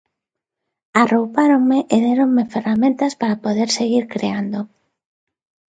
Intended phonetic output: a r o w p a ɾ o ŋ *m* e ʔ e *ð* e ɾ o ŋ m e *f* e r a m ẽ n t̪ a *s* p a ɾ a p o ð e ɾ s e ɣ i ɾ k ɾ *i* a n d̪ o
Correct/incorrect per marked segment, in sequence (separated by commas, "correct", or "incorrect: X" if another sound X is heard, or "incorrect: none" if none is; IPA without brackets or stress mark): correct, correct, correct, correct, incorrect: e